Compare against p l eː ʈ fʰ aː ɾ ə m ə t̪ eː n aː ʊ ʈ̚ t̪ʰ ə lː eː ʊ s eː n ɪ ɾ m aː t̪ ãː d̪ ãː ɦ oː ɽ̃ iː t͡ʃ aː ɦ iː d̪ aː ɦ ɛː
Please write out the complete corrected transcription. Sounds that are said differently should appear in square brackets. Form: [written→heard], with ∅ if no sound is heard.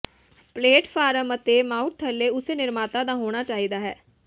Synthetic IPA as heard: p l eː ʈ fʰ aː ɾ ə m ə t̪ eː [n→m] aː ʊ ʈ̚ t̪ʰ ə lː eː ʊ s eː n ɪ ɾ m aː t̪ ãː d̪ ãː ɦ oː ɽ̃ [iː→aː] t͡ʃ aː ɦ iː d̪ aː ɦ ɛː